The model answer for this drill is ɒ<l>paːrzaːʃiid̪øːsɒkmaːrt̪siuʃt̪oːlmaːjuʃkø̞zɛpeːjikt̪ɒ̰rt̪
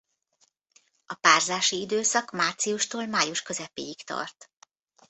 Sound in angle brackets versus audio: incorrect: none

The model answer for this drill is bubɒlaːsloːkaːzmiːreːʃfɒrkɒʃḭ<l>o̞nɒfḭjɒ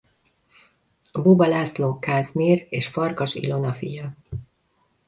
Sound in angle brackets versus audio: correct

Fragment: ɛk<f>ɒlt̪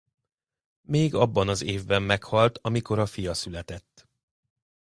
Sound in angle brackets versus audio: incorrect: h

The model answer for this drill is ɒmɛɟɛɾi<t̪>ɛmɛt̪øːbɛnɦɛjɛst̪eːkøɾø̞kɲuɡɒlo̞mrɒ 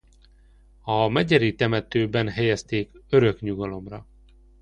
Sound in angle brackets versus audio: correct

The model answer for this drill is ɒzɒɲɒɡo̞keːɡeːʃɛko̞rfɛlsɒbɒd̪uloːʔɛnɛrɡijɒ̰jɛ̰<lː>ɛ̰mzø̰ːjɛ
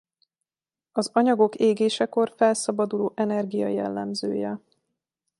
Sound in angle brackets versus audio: correct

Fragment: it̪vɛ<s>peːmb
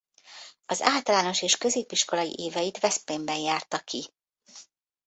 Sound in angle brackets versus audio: correct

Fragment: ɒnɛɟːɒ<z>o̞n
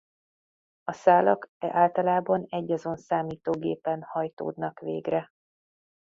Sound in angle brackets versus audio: correct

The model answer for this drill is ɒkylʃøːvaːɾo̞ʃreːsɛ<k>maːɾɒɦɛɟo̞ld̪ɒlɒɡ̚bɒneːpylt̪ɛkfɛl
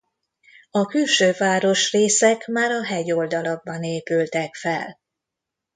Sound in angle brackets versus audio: correct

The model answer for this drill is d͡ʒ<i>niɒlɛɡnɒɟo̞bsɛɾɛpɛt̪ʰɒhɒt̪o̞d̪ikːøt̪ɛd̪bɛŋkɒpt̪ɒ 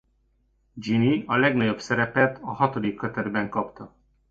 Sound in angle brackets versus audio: correct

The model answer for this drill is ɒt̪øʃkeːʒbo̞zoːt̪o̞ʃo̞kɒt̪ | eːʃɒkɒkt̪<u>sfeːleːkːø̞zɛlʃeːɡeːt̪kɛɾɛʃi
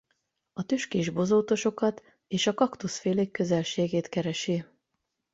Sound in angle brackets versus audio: correct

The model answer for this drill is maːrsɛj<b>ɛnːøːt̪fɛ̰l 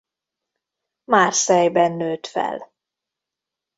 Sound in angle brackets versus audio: correct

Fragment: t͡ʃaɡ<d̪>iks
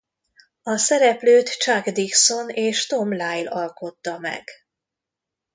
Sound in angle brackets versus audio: correct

